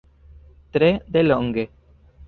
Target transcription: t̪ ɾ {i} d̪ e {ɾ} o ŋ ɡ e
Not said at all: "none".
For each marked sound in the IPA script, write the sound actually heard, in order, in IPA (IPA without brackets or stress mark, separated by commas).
e, l